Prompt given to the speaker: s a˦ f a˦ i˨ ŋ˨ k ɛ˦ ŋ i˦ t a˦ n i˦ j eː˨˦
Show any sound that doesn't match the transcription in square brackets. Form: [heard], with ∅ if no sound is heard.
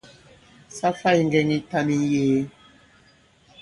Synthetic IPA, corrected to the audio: s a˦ f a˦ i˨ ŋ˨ [ɡ] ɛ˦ ŋ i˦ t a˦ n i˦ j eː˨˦